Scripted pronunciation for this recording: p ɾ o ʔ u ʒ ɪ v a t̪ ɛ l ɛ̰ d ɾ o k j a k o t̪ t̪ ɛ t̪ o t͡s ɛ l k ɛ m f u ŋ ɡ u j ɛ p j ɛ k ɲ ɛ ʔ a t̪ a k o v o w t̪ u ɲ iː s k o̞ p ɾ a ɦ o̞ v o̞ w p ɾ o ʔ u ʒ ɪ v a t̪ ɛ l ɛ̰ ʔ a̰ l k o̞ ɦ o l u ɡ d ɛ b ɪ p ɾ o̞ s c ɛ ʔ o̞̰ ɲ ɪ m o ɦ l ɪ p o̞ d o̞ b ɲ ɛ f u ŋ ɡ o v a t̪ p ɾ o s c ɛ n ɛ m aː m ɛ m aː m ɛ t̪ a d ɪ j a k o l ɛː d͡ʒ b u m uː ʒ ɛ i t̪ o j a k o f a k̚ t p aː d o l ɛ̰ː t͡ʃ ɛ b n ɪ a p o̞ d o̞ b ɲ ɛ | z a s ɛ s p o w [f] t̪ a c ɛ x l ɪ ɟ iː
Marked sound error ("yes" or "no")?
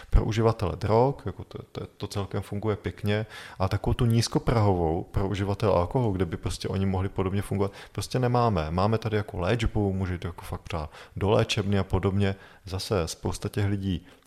yes